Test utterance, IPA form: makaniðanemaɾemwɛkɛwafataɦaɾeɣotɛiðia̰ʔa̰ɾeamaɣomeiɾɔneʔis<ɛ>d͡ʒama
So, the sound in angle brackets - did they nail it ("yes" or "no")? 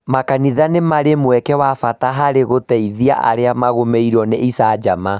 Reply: no